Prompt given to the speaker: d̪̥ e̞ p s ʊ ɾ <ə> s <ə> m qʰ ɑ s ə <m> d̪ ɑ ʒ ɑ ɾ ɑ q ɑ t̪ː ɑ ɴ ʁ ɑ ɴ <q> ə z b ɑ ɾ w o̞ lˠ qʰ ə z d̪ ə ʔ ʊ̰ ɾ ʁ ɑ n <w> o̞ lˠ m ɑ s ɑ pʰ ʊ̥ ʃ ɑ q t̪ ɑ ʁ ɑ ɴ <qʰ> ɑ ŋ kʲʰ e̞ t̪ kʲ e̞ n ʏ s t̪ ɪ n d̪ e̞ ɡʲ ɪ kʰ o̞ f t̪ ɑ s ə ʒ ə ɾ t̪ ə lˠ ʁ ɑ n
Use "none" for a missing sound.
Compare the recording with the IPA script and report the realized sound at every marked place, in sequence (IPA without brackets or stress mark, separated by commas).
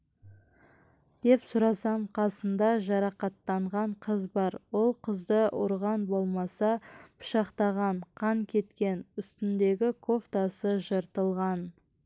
ɑ, ɑ, n, qʰ, b, qʰ